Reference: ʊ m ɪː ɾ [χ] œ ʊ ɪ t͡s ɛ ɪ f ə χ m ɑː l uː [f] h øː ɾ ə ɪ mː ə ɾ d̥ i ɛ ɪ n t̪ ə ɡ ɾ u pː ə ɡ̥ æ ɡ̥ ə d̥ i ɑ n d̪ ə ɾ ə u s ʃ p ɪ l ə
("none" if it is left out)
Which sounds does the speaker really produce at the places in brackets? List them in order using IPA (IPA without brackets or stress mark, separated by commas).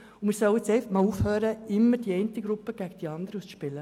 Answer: s, f